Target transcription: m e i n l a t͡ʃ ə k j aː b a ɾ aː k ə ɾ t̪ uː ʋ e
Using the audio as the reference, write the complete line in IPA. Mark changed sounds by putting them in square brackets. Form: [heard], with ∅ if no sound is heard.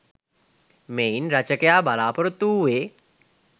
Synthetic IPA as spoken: m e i n [ɾ] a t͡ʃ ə k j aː b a [l] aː [p] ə ɾ t̪ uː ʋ e